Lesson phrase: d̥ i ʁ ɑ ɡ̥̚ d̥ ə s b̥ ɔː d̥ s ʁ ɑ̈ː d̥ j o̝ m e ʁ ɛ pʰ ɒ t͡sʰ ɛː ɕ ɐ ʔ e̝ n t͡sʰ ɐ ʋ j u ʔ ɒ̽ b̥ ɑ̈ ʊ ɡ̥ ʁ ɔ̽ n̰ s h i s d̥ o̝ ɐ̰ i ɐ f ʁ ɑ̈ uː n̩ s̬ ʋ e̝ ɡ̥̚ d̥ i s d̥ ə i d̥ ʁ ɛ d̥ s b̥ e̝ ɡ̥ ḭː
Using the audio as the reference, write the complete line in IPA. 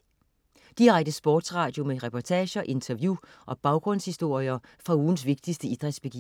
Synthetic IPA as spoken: d̥ i ʁ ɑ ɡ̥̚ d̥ ə s b̥ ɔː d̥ s ʁ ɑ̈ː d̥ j o̝ m e ʁ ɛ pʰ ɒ t͡sʰ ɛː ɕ ɐ ʔ e̝ n t͡sʰ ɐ ʋ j u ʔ ɒ̽ b̥ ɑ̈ ʊ ɡ̥ ʁ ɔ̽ n̰ s h i s d̥ o̝ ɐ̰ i ɐ f ʁ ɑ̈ uː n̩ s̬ ʋ e̝ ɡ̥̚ d̥ i s d̥ ə i d̥ ʁ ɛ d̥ s b̥ e̝ ɡ̥ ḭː